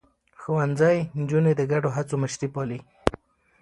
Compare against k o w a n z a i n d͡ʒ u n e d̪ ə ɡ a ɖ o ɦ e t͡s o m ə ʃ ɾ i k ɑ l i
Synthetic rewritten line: x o w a n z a j n d͡ʒ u n e d̪ ə ɡ a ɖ o ɦ a t͡s o m ə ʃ ɾ i p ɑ l i